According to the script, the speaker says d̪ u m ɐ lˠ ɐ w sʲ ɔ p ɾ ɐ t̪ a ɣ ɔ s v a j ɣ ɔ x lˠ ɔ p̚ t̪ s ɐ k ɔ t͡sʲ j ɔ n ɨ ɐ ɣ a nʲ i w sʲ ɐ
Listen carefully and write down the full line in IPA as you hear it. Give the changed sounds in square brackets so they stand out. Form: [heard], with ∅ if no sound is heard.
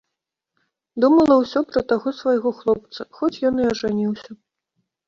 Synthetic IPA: d̪ u m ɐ lˠ ɐ w sʲ ɔ p ɾ ɐ t̪ a ɣ ɔ s v a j ɣ ɔ x lˠ ɔ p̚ t̪ s ɐ [x] ɔ t͡sʲ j ɔ n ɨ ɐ [ʐ] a nʲ i w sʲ ɐ

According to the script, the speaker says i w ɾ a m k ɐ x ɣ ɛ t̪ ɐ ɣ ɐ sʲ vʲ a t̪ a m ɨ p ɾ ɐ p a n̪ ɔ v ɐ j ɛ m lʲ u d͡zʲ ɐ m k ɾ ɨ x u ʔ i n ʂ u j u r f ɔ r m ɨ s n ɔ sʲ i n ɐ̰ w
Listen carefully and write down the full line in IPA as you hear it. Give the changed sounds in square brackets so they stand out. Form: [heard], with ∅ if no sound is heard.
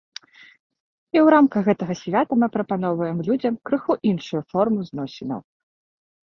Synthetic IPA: i w ɾ a m k ɐ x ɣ ɛ t̪ ɐ ɣ ɐ sʲ vʲ a t̪ [ɐ] m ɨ p ɾ ɐ p a n̪ ɔ v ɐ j ɛ m lʲ u d͡zʲ ɐ m k ɾ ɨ x u ʔ i n ʂ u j u [∅] f ɔ r m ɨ [z] n ɔ sʲ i n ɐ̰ w

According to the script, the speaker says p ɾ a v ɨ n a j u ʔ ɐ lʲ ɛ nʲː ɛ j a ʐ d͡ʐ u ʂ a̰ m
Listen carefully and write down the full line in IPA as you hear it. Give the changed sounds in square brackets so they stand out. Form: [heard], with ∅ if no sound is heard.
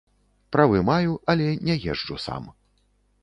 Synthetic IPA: p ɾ a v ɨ [m] a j u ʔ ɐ lʲ ɛ [nʲ] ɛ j [ɛ] ʐ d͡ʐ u [s] a̰ m

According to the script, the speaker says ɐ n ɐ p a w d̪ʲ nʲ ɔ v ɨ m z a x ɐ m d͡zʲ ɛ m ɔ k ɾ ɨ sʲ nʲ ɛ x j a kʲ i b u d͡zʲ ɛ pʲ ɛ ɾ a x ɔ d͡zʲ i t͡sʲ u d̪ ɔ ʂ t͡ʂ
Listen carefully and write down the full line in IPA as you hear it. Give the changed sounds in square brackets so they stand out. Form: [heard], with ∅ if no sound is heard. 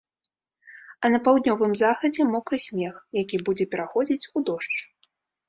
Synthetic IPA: ɐ n ɐ p a w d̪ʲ nʲ ɔ v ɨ m z a x ɐ [∅] d͡zʲ ɛ m ɔ k ɾ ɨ sʲ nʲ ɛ x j a kʲ i b u d͡zʲ ɛ pʲ ɛ ɾ a x ɔ d͡zʲ i t͡sʲ u d̪ ɔ ʂ t͡ʂ

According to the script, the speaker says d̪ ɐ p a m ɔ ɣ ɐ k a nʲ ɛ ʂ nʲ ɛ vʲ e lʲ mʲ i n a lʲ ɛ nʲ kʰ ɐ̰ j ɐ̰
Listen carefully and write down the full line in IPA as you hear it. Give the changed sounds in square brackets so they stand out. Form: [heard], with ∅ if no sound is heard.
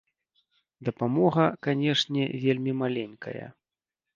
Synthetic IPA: d̪ ɐ p a m ɔ ɣ ɐ k a nʲ ɛ ʂ nʲ ɛ vʲ e lʲ mʲ i [m] a lʲ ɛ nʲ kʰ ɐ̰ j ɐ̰

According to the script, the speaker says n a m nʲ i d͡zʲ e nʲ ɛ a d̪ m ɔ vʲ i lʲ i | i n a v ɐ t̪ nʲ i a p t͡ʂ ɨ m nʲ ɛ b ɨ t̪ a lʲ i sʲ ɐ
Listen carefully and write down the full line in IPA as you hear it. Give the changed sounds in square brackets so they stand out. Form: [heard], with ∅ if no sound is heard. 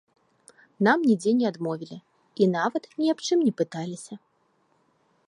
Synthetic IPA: n a m nʲ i d͡zʲ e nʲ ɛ a d̪ m ɔ vʲ i lʲ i | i n a v ɐ t̪ nʲ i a p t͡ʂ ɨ m nʲ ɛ [p] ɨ t̪ a lʲ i sʲ ɐ

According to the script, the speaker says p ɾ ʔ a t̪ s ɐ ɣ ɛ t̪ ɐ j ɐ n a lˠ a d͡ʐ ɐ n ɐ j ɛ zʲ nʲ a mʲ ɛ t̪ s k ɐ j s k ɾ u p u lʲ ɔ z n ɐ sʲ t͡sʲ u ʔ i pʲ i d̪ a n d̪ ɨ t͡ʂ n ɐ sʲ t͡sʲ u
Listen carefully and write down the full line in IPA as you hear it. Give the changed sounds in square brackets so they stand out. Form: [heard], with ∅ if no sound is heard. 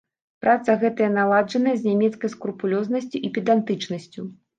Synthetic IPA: p ɾ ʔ a t̪ s ɐ ɣ ɛ t̪ ɐ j ɐ n a lˠ a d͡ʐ ɐ n ɐ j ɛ zʲ nʲ a mʲ ɛ t̪ s k ɐ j s k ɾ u p u lʲ ɔ z n ɐ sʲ t͡sʲ u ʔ i pʲ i d̪ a n [t̪] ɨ t͡ʂ n ɐ sʲ t͡sʲ u

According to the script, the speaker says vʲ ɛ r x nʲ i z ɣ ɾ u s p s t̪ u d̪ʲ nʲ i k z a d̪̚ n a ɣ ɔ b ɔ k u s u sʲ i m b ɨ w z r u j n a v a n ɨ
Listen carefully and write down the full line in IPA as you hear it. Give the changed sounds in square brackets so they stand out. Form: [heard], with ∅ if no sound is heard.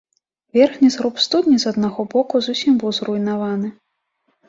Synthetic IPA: vʲ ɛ r x nʲ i z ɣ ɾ u [∅] p s t̪ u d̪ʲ nʲ i [∅] z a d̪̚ n a ɣ ɔ b ɔ k u [z] u sʲ i m b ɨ w z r u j n a v a n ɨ

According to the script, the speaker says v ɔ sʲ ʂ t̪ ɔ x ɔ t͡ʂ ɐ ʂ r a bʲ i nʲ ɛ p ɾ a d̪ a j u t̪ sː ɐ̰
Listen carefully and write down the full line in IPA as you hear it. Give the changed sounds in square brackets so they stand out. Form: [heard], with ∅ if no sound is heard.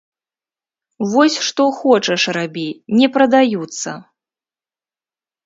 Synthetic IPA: v ɔ sʲ ʂ t̪ ɔ x ɔ t͡ʂ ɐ ʂ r a bʲ i nʲ ɛ p ɾ [ɐ] d̪ a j u t̪ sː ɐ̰

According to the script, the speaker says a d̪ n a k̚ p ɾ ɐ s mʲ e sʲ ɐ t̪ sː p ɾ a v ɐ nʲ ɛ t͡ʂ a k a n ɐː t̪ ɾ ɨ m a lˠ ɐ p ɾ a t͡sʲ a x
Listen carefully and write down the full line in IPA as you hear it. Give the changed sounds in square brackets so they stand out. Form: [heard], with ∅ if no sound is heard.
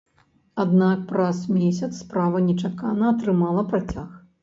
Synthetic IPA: a d̪ n a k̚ p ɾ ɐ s mʲ e sʲ ɐ t̪ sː p ɾ a v ɐ nʲ ɛ t͡ʂ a k a n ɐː t̪ ɾ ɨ m a lˠ ɐ p ɾ a t͡sʲ a x

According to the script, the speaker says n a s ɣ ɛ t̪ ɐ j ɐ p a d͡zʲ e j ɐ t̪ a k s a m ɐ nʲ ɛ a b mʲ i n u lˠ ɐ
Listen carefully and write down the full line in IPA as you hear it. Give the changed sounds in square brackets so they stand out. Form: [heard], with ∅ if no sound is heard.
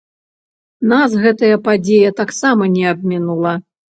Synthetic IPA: n a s ɣ ɛ t̪ ɐ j ɐ p a d͡zʲ e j ɐ t̪ a k s a m ɐ nʲ ɛ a b mʲ i n u lˠ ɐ

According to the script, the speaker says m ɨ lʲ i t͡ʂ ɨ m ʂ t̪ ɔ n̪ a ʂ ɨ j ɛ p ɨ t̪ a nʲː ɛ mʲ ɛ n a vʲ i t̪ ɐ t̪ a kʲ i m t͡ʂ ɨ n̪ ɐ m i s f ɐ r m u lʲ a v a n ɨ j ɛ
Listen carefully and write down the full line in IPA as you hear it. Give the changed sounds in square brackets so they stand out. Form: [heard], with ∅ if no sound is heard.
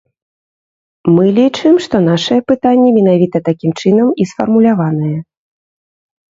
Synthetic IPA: m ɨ lʲ i t͡ʂ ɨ m ʂ t̪ ɔ n̪ a ʂ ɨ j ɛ p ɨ t̪ a nʲː ɛ mʲ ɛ n a vʲ i t̪ ɐ t̪ a kʲ i m t͡ʂ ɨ n̪ ɐ m i s f ɐ r m u lʲ a v a n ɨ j ɛ

